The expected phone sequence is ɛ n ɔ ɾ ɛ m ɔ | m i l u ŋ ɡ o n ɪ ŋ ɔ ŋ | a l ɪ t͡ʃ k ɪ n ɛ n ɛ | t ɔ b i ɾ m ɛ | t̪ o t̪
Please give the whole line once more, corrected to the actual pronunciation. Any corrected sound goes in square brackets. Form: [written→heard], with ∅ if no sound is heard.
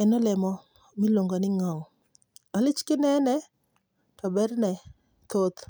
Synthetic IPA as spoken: ɛ n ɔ [ɾ→l] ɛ m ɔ | m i l [u→o] ŋ ɡ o n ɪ ŋ ɔ ŋ | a l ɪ t͡ʃ k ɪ n ɛ n ɛ | t ɔ b [i→ɛ] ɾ [m→n] ɛ | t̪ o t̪